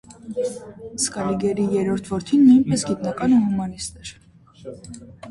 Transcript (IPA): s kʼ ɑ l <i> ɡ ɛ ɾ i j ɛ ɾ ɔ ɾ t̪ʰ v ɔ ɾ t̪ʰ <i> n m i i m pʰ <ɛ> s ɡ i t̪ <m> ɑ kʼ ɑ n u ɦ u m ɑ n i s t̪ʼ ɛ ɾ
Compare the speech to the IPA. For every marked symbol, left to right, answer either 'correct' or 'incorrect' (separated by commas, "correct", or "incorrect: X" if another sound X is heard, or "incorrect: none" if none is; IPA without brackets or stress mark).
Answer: correct, correct, correct, incorrect: n